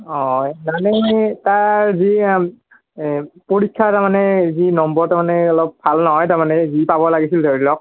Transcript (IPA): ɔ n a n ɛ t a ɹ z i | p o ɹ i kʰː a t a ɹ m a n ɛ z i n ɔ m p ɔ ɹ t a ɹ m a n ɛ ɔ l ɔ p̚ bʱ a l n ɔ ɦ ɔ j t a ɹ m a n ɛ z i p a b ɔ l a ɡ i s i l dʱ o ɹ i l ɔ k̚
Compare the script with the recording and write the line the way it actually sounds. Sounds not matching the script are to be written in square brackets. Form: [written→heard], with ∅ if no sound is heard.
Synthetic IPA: ɔ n a n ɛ t a ɹ z i | p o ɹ i kʰː a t a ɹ m a n ɛ z i n ɔ m [p→b] ɔ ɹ t a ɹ m a n ɛ ɔ l ɔ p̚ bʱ a l n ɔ ɦ ɔ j t a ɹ m a n ɛ z i p a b ɔ l a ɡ i s i l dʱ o ɹ i l ɔ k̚